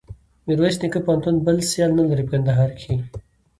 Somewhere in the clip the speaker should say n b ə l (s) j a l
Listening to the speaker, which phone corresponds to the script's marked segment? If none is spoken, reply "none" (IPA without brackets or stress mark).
s